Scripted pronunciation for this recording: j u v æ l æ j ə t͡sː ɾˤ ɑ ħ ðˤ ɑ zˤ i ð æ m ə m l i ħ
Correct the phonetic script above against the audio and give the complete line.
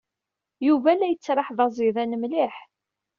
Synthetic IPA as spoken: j u v æ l æ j ə t͡sː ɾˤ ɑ ħ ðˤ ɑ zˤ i ð æ n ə m l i ħ